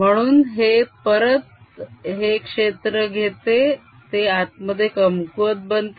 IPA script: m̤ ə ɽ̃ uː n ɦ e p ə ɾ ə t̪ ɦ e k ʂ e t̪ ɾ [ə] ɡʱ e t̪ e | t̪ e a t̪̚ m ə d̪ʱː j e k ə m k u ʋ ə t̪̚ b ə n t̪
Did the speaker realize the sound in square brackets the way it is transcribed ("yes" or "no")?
yes